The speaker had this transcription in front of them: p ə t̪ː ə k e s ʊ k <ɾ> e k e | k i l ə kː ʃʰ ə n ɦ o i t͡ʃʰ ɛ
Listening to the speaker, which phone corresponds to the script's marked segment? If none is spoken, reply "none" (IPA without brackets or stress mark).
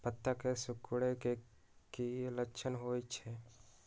ɽ